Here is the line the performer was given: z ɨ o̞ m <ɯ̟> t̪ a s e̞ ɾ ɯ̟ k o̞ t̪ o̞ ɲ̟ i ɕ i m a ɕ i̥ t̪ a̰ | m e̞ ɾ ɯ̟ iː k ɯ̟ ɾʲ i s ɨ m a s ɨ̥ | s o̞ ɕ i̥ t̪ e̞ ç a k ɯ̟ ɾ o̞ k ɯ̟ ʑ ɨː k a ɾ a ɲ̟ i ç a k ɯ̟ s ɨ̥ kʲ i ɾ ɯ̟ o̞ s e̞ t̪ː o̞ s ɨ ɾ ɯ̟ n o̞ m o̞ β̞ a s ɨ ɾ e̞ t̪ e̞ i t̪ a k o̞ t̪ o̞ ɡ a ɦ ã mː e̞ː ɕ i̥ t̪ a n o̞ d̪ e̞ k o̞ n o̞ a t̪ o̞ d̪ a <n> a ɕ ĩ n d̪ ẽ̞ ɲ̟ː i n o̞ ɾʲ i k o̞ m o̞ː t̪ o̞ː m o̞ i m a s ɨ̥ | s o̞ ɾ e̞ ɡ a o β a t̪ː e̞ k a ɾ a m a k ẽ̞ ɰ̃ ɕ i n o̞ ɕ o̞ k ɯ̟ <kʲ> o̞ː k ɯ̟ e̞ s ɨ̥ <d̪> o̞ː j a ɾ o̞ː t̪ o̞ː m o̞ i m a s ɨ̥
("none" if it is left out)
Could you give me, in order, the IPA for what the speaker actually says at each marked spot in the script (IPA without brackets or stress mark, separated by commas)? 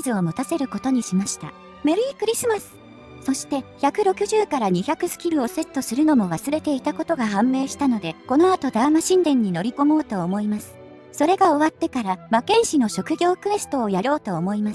ɯ̟, m, ɡʲ, t̪